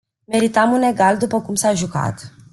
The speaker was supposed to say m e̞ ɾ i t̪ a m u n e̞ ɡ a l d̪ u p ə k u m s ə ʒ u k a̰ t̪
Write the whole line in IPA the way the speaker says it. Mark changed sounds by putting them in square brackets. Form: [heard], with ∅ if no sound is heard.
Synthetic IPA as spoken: m e̞ ɾ i t̪ a m u n e̞ ɡ a l d̪ u p ə k u m s [a] ʒ u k a̰ t̪

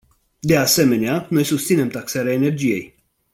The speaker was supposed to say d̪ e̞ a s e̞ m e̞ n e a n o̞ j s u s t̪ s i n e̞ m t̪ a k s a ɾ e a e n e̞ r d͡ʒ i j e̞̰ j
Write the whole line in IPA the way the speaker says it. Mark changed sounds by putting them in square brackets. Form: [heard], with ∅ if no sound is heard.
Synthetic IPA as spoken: d̪ e̞ a s e̞ m e̞ n e a n o̞ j s u s t̪ s i n e̞ m t̪ a k s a ɾ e a e n e̞ r d͡ʒ i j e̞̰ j

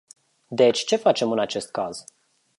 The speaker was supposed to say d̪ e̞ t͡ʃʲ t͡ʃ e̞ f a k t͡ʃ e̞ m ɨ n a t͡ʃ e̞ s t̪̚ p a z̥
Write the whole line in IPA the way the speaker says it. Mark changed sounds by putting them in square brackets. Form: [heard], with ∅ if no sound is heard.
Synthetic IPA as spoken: d̪ e̞ t͡ʃʲ t͡ʃ e̞ f a [∅] t͡ʃ e̞ m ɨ n a t͡ʃ e̞ s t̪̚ [k] a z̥

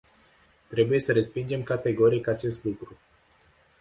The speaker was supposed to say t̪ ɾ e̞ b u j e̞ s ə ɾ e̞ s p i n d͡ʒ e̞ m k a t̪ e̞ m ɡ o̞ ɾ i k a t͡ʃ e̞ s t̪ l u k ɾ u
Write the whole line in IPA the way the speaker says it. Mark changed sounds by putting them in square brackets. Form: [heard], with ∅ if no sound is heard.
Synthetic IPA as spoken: t̪ ɾ e̞ b u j e̞ s ə ɾ e̞ s p i n d͡ʒ e̞ m k a t̪ e̞ [∅] ɡ o̞ ɾ i k a t͡ʃ e̞ s t̪ l u k ɾ u

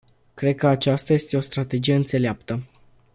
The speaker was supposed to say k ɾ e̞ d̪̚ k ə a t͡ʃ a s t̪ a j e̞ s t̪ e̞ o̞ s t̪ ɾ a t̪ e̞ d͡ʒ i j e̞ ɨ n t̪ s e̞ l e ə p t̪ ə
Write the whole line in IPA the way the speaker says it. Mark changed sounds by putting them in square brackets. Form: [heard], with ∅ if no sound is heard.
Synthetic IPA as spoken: k ɾ e̞ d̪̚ k ə a t͡ʃ a s t̪ a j e̞ s t̪ e̞ o̞ s t̪ ɾ a t̪ e̞ d͡ʒ i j e̞ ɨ n t̪ s e̞ l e [a] p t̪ ə

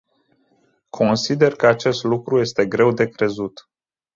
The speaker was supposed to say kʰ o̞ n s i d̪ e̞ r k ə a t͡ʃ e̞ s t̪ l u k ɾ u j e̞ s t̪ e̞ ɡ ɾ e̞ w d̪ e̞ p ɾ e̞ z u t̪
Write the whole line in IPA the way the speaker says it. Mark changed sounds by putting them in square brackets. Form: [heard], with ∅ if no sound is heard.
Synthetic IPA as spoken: kʰ o̞ n s i d̪ e̞ r k ə a t͡ʃ e̞ s t̪ l u k ɾ u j e̞ s t̪ e̞ ɡ ɾ e̞ w d̪ e̞ [k] ɾ e̞ z u t̪

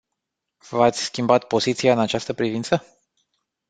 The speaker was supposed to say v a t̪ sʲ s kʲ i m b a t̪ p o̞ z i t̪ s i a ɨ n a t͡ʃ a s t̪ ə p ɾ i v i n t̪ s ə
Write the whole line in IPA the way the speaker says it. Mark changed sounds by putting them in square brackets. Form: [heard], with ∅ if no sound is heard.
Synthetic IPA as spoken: v a t̪ sʲ s kʲ i m b a t̪ p o̞ z i t̪ s i a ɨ n a t͡ʃ a s t̪ ə p ɾ i v i n t̪ s ə

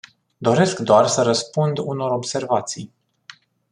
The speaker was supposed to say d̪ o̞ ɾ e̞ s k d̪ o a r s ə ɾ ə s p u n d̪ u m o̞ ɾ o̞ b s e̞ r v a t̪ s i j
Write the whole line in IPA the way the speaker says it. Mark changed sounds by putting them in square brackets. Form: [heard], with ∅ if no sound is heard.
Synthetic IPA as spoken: d̪ o̞ ɾ e̞ s k d̪ o a r s ə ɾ ə s p u n d̪ u [n] o̞ ɾ o̞ b s e̞ r v a t̪ s i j

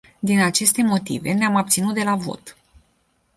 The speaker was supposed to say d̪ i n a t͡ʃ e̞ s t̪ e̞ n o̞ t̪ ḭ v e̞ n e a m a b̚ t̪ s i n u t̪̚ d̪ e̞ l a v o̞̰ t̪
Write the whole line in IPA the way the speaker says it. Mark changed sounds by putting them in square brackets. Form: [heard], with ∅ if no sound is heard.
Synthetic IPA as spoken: d̪ i n a t͡ʃ e̞ s t̪ e̞ [m] o̞ t̪ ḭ v e̞ n e a m a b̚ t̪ s i n u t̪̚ d̪ e̞ l a v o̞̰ t̪

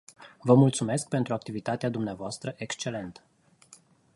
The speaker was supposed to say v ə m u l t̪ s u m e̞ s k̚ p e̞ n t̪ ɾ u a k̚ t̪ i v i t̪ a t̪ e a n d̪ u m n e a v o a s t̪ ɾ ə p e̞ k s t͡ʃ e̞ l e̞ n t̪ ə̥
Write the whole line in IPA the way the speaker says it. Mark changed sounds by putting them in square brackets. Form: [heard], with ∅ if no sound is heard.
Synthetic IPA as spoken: v ə m u l t̪ s u m e̞ s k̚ p e̞ n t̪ ɾ u a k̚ t̪ i v i t̪ a t̪ e a [∅] d̪ u m n e a v o a s t̪ ɾ ə [ʔ] e̞ k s t͡ʃ e̞ l e̞ n t̪ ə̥

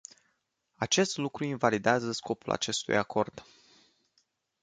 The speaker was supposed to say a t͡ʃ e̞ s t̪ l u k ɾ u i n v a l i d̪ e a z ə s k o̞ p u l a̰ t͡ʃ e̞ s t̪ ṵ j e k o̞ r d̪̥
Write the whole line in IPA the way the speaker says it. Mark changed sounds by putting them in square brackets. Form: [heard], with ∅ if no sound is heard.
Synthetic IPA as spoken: a t͡ʃ e̞ s t̪ l u k ɾ u i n v a l i d̪ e a z ə s k o̞ p u l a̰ t͡ʃ e̞ s t̪ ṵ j [a] k o̞ r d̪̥

